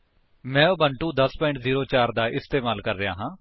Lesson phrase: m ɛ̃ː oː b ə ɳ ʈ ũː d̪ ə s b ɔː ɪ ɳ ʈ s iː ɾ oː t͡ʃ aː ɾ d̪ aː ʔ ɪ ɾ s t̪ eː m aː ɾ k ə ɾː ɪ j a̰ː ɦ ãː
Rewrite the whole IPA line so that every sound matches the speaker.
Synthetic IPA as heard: m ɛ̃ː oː b ə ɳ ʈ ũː d̪ ə s p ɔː ɪ ɳ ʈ z iː ɾ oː t͡ʃ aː ɾ d̪ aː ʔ ɪ s t̪ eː m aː l k ə ɾː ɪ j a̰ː ɦ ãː

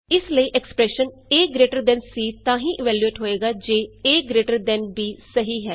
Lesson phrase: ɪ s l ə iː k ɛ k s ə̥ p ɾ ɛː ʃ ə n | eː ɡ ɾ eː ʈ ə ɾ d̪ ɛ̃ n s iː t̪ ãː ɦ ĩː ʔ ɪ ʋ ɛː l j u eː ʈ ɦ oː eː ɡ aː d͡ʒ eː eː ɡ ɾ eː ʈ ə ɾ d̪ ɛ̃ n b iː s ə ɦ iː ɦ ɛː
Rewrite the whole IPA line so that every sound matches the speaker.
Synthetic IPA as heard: ɪ s l ə iː ʔ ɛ k s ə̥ p ɾ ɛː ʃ ə n | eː ɡ ɾ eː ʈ ə ɾ d̪ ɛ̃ n s iː t̪ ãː ɦ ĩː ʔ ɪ ʋ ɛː l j u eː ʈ ɦ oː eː ɡ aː d͡ʒ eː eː ɡ ɾ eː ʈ ə ɾ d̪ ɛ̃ n b iː s ə ɦ iː ɦ ɛː

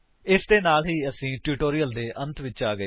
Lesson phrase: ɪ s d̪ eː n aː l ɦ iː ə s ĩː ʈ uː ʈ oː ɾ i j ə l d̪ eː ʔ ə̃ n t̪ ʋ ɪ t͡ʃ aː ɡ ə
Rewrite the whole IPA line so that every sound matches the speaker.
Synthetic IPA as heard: ɪ s d̪ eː n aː l ɦ iː ə s ĩː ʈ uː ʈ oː ɾ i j ə l d̪ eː ʔ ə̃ n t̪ ʋ ɪ t͡ʃ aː ɡ ə

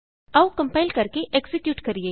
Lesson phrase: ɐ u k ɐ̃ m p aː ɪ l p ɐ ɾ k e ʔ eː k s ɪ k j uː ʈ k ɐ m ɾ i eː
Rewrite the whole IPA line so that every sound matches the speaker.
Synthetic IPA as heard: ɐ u k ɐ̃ m p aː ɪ l k ɐ ɾ k e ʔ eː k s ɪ k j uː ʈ k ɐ ɾ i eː

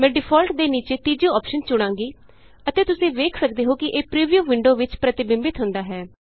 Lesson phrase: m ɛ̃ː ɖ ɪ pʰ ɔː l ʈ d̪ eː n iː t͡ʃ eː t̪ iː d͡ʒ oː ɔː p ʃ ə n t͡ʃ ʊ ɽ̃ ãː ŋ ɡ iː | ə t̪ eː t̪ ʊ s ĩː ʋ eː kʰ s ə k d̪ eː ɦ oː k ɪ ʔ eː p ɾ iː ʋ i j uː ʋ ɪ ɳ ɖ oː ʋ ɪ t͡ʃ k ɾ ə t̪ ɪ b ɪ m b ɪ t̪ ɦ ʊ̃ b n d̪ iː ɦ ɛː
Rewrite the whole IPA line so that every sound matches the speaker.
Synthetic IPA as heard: m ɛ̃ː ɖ ɪ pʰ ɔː l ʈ d̪ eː n iː t͡ʃ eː t̪ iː d͡ʒ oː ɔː p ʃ ə n t͡ʃ ʊ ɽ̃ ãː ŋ ɡ iː | ə t̪ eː t̪ ʊ s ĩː ʋ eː kʰ s ə k d̪ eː ɦ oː k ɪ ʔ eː p ɾ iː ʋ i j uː ʋ ɪ ɳ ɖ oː ʋ ɪ t͡ʃ p ɾ ə t̪ ɪ b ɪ m b ɪ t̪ ɦ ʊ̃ n d̪ aː ɦ ɛː

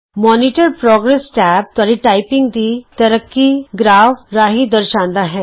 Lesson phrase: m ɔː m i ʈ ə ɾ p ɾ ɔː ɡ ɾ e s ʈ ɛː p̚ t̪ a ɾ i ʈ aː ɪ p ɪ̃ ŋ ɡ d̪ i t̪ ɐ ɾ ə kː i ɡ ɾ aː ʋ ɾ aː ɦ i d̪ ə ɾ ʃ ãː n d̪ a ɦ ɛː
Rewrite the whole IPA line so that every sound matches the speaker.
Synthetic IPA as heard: m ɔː n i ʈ ə ɾ p ɾ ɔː ɡ ɾ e s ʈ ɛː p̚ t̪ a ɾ i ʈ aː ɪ p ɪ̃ ŋ ɡ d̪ i t̪ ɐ ɾ ə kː i ɡ ɾ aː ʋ ɾ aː ɦ i d̪ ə ɾ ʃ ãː n d̪ a ɦ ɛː

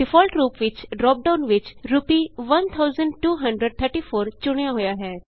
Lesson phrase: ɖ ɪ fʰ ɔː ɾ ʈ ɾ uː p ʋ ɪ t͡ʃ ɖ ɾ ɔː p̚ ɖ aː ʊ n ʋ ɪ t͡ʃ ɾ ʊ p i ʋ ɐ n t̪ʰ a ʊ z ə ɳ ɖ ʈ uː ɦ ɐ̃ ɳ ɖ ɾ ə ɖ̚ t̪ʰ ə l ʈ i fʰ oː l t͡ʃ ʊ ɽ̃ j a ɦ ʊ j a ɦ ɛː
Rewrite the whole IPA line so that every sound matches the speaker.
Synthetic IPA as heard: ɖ ɪ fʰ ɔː l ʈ ɾ uː p ʋ ɪ t͡ʃ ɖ ɾ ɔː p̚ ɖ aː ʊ n ʋ ɪ t͡ʃ ɾ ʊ p i ʋ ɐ n t̪ʰ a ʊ z ə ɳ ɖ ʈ uː ɦ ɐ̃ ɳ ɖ ɾ ə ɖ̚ t̪ʰ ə ɾ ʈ i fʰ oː ɾ t͡ʃ ʊ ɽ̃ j a ɦ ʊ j a ɦ ɛː

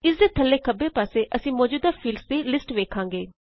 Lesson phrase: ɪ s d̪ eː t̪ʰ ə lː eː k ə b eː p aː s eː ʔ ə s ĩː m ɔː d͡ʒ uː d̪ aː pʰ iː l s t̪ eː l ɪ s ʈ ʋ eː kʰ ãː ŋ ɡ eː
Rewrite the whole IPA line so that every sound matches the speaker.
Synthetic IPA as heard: ɪ s d̪ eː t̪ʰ ə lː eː k ə b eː p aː s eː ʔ ə s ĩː m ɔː d͡ʒ uː d̪ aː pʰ iː l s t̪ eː l ɪ s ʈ ʋ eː kʰ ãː ŋ ɡ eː

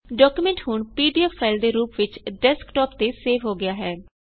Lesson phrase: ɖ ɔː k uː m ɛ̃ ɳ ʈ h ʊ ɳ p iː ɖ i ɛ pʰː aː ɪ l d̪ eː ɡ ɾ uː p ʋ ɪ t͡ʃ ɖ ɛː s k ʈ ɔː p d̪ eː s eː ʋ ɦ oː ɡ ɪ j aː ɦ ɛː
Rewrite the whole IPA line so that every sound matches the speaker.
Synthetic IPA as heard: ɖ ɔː k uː m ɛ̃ ɳ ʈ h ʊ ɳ p iː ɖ i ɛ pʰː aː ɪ l d̪ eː ɾ uː p ʋ ɪ t͡ʃ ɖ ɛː s k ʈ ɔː p t̪ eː s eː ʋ ɦ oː ɡ ɪ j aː ɦ ɛː

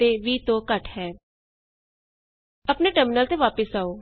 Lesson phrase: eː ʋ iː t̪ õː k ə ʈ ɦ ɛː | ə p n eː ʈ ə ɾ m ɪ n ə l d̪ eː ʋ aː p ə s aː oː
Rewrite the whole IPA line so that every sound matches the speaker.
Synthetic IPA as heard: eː ʋ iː t̪ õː k ə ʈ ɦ ɛː | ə p n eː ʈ ə ɾ m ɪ n ə l t̪ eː ʋ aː p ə s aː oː

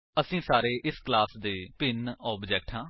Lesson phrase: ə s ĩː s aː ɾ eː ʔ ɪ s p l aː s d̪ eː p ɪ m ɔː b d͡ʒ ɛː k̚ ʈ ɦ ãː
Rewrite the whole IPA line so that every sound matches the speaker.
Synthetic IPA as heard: ə s ĩː s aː ɾ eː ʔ ɪ s k l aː s d̪ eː p ɪ n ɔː b d͡ʒ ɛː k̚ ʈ ɦ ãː

